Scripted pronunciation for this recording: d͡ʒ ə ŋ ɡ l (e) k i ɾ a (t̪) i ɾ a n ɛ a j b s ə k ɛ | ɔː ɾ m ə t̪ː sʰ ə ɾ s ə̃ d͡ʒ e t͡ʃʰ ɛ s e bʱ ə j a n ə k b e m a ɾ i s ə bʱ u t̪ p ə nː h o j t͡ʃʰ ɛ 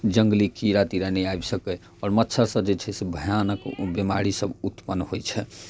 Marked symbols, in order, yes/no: no, yes

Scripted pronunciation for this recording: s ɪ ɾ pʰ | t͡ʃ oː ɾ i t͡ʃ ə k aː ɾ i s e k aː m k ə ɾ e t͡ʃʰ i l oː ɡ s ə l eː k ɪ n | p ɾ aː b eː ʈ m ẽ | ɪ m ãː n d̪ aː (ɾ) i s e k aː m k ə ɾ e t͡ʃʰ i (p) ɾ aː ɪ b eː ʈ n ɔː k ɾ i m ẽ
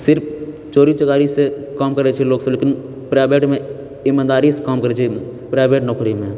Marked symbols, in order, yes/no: yes, yes

